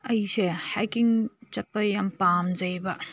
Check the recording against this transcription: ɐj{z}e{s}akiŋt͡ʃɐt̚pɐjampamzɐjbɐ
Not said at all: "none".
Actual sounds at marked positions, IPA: s, h

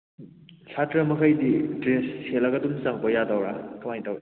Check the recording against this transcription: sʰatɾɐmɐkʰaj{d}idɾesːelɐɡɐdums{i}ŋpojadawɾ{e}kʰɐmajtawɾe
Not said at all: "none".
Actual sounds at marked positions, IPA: d, a, a

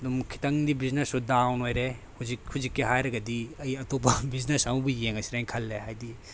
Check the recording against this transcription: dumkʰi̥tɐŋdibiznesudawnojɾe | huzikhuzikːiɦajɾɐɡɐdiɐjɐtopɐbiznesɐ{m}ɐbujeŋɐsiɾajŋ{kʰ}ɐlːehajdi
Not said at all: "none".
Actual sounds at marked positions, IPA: m, kʰ

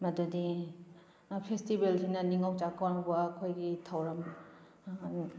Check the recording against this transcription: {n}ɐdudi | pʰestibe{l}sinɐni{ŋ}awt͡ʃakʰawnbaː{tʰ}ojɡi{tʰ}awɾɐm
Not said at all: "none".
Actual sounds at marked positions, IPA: m, l, ŋ, kʰ, tʰ

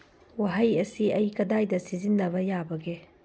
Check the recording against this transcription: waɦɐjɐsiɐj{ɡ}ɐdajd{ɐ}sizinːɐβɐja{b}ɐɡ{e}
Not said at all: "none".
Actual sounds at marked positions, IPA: k, ɐ, b, e

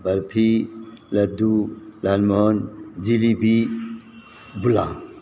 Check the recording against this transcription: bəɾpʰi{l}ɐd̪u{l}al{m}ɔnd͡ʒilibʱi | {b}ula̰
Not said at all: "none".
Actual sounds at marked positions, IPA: l, l, m, b

